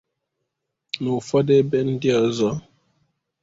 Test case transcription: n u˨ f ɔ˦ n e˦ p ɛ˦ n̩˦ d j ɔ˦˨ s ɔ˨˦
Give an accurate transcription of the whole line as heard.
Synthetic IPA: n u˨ f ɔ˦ d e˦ b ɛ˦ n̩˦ d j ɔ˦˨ z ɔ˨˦